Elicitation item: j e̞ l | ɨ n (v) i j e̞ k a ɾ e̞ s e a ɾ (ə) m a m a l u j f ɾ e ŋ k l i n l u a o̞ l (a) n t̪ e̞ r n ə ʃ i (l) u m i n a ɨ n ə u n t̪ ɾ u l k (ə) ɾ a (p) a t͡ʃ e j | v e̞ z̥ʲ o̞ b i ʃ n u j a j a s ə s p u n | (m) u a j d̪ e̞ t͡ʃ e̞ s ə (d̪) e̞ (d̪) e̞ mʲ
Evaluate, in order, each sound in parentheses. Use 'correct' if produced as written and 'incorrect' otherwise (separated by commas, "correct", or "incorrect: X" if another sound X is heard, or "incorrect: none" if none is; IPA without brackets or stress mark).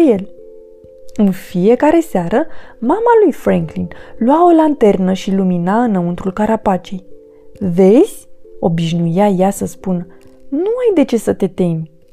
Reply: incorrect: f, correct, correct, correct, incorrect: a, correct, incorrect: n, incorrect: t̪, incorrect: t̪